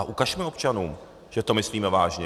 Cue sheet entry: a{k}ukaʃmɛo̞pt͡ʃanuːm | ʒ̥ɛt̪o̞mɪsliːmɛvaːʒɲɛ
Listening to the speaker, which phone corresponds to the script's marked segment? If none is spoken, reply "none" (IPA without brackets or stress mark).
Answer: ʔ